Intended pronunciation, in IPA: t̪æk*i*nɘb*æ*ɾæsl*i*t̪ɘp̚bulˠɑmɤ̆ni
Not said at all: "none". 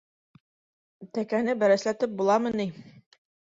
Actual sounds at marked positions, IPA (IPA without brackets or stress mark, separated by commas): æ, æ, æ